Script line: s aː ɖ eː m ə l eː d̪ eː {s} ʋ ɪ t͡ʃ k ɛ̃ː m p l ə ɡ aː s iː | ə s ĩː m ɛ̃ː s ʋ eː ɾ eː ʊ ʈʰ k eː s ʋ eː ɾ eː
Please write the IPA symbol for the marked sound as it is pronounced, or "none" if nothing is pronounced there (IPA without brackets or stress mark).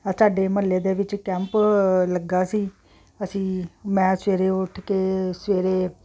none